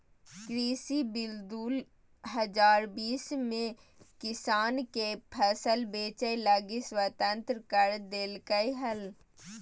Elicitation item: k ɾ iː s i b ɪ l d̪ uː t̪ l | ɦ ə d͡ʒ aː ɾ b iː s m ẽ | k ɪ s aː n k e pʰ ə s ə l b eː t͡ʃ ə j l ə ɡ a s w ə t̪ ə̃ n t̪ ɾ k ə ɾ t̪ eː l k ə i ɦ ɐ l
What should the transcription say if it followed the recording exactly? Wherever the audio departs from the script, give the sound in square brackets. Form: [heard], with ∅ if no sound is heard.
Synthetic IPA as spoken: k ɾ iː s i b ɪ l d̪ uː [∅] l | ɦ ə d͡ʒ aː ɾ b iː s m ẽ | k ɪ s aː n k e pʰ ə s ə l b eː t͡ʃ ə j l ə ɡ [i] s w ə t̪ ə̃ n t̪ ɾ k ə ɾ [d̪] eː l k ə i ɦ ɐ l